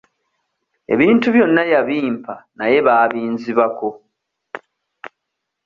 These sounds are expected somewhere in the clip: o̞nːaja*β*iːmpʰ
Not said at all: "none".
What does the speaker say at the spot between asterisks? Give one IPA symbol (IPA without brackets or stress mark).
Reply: β